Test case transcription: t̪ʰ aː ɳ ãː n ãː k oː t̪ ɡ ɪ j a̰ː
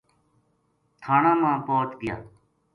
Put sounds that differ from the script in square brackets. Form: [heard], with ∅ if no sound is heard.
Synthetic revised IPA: t̪ʰ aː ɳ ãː [m] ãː [p] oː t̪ ɡ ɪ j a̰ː